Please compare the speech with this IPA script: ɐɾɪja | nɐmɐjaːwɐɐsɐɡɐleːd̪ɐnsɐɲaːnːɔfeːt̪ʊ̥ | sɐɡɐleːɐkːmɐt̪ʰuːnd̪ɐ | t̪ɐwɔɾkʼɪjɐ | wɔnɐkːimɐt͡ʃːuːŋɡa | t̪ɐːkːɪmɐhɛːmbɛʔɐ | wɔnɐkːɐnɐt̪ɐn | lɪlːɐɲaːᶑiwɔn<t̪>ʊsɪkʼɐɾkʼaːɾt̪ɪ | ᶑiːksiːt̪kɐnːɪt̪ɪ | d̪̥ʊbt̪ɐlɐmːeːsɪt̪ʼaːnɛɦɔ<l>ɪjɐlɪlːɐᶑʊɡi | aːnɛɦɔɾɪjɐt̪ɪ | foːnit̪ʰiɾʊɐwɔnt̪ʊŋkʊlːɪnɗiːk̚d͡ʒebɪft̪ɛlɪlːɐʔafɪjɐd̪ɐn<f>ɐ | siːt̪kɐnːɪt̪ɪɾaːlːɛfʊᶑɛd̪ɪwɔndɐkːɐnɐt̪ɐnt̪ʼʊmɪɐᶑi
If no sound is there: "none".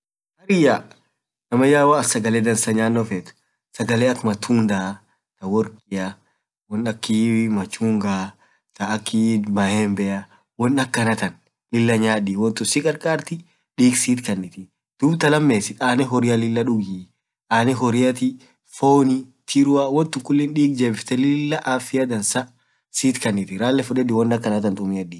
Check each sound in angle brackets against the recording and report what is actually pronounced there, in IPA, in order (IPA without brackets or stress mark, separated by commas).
t̪, ɾ, s